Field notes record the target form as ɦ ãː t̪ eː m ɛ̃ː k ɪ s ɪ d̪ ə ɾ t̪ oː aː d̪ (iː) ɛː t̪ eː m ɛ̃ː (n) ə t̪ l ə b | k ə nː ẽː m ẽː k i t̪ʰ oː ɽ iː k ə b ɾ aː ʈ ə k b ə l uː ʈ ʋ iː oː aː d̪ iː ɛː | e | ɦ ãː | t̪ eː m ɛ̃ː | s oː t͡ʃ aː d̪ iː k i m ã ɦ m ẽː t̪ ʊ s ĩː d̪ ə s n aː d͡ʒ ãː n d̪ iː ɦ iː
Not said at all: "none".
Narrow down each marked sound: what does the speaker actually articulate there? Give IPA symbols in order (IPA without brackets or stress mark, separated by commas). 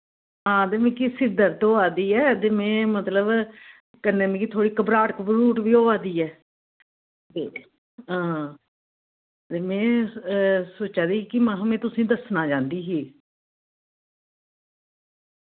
iː, m